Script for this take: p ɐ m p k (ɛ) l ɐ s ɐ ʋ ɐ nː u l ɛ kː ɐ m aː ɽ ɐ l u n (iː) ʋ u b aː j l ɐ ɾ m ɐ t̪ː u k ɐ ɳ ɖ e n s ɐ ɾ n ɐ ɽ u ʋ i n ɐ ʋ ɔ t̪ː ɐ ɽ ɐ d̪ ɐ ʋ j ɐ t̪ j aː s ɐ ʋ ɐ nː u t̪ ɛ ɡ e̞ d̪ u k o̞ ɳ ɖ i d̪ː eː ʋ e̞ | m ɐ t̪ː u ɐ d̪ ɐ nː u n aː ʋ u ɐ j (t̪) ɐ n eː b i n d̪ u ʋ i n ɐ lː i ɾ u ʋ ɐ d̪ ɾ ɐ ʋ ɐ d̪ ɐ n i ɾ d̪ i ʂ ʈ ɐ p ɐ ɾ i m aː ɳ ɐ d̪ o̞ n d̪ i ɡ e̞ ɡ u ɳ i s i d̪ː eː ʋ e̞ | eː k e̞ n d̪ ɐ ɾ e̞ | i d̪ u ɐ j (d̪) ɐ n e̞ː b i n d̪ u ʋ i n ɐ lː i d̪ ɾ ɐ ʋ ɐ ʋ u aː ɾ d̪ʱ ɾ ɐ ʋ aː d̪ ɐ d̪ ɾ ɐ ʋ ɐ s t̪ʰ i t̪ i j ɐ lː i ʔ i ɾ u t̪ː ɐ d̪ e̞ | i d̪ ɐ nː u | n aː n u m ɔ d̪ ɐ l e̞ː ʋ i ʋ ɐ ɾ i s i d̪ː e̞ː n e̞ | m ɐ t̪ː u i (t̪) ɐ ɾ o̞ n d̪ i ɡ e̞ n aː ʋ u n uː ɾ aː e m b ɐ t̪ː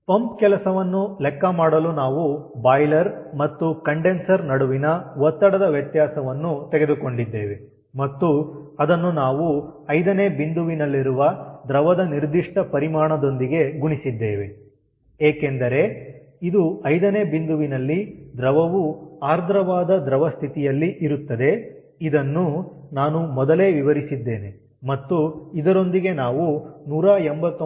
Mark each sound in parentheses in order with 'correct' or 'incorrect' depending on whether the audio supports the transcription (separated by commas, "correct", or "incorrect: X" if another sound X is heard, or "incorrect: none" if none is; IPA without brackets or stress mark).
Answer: correct, incorrect: aː, incorrect: d̪, correct, incorrect: d̪